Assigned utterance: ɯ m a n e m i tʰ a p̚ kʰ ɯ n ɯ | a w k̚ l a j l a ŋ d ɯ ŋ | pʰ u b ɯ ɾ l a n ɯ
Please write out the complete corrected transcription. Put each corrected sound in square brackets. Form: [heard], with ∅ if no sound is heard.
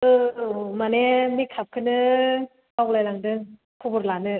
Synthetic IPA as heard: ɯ m a n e m i [kʰ] a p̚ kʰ ɯ n ɯ | a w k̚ l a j l a ŋ d ɯ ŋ | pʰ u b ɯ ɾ l a n ɯ

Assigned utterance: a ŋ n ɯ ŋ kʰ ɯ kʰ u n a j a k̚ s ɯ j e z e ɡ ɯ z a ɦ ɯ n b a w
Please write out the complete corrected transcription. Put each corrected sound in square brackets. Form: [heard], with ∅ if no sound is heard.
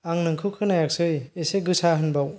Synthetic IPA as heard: a ŋ n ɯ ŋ kʰ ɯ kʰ [ɯ] n a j a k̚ s ɯ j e [s] e ɡ ɯ [s] a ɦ ɯ n b a w

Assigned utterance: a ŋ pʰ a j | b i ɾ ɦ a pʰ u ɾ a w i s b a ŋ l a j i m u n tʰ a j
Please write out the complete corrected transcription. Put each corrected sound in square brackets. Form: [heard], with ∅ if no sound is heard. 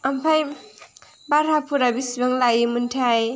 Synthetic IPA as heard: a [m] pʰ a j | b [a] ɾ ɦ a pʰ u ɾ a [b] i s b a ŋ l a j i m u n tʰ a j

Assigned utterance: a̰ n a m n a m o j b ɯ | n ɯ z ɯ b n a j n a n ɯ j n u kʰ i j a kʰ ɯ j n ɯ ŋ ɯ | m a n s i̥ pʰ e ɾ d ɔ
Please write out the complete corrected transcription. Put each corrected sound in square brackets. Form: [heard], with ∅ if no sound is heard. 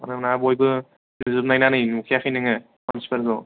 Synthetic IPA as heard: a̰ n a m n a [b] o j b ɯ | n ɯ z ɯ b n a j n a n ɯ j n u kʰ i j a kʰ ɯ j n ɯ ŋ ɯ | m a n s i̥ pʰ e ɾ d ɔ

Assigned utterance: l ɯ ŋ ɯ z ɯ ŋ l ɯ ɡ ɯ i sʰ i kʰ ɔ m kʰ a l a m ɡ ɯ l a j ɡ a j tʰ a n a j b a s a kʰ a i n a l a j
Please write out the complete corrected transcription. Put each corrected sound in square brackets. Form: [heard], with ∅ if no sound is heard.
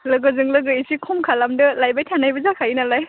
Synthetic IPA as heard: l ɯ [ɡ] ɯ z ɯ ŋ l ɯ ɡ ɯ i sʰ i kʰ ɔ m kʰ a l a m [d] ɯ l a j [b] a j tʰ a n a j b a [z] a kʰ a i n a l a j

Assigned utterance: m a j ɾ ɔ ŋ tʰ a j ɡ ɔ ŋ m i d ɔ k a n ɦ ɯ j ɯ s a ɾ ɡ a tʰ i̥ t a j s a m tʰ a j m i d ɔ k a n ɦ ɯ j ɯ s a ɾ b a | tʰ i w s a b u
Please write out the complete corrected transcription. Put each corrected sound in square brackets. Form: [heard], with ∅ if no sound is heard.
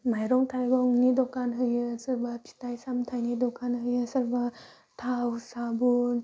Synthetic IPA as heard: m a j ɾ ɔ ŋ tʰ a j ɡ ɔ ŋ [n] i d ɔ k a n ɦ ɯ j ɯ s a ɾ [b] a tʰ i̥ t a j s a m tʰ a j [n] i d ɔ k a n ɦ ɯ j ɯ s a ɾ b a | tʰ [a] w s a b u

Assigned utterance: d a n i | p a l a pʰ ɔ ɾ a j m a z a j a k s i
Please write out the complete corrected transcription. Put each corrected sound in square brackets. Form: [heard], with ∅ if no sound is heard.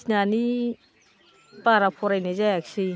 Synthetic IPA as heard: [n] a n i | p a [ɾ] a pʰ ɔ ɾ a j [n] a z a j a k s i

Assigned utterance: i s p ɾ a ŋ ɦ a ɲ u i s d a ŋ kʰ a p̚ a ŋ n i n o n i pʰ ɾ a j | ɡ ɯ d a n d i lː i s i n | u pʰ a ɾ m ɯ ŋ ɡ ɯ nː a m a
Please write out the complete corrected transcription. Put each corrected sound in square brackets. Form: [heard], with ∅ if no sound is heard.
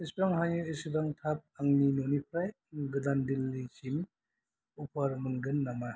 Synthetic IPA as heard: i s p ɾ a ŋ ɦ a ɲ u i s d a ŋ [tʰ] a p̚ a ŋ n i n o n i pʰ ɾ a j | ɡ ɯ d a n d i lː i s i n | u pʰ a ɾ m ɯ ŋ ɡ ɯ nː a m a

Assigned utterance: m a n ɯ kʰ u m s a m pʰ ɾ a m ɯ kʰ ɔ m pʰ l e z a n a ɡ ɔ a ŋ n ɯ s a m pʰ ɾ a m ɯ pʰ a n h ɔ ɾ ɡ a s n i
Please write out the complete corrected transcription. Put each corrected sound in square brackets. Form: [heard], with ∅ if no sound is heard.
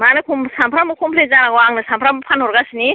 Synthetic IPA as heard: m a n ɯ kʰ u m s a m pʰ ɾ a m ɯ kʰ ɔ m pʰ l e z a n a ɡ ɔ a ŋ n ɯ s a m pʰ ɾ a m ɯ pʰ a n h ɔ ɾ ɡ a s n i

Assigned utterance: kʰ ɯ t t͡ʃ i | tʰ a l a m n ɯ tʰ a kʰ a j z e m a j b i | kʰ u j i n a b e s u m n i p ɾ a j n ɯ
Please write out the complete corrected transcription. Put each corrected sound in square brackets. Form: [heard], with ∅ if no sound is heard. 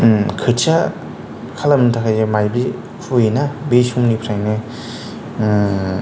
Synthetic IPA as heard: kʰ ɯ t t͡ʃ [a] | [kʰ] a l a m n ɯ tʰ a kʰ a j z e m a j b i | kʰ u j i n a b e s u m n i [pʰ] ɾ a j n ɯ

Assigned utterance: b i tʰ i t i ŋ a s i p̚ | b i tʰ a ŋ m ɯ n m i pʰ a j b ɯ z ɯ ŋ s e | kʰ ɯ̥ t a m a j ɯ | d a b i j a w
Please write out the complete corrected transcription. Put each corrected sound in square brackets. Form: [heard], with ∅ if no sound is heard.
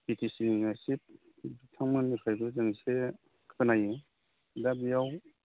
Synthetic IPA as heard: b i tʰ i [s] i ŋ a s i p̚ | b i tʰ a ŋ m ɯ n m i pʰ a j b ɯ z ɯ ŋ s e | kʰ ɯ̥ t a [n] a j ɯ | d a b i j a w

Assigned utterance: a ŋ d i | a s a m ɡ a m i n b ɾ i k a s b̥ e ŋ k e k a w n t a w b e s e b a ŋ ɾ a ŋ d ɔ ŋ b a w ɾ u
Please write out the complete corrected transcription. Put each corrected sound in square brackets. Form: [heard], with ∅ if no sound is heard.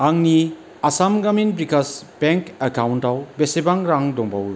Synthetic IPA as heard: a ŋ [n] i | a s a m ɡ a m i n b ɾ i k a s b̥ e ŋ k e k a w n t a w b e s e b a ŋ ɾ a ŋ d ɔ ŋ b a w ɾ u

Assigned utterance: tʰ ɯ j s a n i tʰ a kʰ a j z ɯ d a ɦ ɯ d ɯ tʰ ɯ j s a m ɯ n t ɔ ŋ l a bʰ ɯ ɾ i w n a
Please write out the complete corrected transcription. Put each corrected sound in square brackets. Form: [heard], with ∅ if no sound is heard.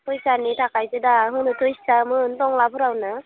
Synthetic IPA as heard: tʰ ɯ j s a n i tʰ a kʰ a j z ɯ d a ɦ ɯ [n] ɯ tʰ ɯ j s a m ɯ n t ɔ ŋ l a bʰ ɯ ɾ [a] w n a

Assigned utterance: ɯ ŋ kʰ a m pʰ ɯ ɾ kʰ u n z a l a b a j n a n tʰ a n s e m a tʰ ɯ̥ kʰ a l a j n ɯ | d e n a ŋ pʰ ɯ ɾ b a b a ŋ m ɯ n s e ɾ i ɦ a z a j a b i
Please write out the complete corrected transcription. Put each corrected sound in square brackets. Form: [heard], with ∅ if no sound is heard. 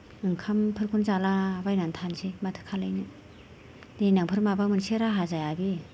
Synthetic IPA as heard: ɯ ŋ kʰ a m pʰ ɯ ɾ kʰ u n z a l a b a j n a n tʰ a n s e m a tʰ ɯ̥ kʰ a l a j n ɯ | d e n a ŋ pʰ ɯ ɾ [m] a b a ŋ m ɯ n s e ɾ [a] ɦ a z a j a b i

